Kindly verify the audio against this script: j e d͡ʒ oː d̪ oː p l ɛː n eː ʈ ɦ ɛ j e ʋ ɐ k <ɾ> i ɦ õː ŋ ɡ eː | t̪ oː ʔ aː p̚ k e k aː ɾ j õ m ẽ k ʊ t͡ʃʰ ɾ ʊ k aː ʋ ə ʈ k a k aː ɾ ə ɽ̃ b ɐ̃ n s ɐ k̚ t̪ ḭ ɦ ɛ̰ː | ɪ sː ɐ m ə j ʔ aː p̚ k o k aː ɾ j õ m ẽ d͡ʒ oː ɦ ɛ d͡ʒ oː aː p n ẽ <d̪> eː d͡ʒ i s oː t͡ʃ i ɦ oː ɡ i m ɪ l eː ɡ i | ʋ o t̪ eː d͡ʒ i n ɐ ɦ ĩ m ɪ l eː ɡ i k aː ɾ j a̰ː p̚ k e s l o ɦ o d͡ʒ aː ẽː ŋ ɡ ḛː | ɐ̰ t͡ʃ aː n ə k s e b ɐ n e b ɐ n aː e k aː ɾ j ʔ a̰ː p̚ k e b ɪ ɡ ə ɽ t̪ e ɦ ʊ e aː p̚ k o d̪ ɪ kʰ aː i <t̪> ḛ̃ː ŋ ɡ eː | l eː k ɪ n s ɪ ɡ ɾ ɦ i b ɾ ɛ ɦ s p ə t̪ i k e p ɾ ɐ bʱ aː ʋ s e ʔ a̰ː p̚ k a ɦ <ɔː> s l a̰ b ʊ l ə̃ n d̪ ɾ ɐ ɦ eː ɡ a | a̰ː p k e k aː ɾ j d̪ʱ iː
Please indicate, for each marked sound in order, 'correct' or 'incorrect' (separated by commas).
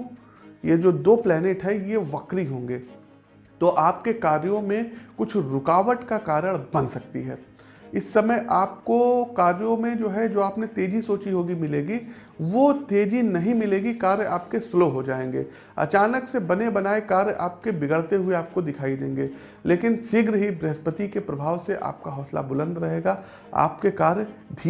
correct, incorrect, incorrect, correct